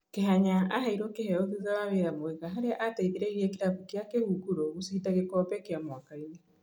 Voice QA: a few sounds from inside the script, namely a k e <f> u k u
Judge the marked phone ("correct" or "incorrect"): incorrect